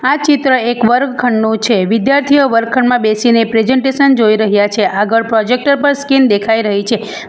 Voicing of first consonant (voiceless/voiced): voiceless